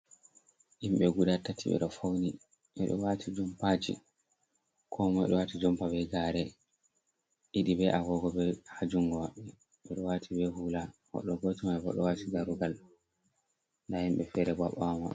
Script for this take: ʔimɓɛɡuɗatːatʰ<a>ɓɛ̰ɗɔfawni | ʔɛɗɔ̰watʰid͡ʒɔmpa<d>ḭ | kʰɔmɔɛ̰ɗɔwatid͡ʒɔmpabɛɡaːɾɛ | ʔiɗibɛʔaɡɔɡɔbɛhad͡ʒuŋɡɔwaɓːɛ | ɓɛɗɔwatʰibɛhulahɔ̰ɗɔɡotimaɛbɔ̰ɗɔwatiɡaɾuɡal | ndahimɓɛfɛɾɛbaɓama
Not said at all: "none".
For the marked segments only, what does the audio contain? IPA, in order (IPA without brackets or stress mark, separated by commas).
i, d͡ʒ